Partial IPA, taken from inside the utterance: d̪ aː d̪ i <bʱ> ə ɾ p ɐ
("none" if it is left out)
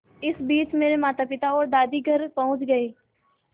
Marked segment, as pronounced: ɡʱ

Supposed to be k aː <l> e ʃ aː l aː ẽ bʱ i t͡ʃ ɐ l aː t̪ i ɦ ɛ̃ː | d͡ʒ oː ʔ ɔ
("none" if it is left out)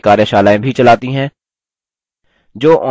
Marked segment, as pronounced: ɾ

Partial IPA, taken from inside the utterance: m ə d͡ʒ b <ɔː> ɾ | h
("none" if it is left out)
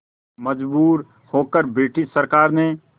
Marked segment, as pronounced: uː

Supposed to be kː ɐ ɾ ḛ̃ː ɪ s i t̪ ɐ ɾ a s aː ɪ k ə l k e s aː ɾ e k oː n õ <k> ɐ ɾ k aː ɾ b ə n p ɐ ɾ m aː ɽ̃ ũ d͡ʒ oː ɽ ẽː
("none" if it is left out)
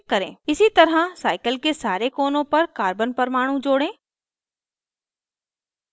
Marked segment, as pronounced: p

